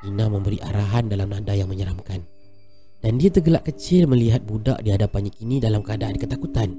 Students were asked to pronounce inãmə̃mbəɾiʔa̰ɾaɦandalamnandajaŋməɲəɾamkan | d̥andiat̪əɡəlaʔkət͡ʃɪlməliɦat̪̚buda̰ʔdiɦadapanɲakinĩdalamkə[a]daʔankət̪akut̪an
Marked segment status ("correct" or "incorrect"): correct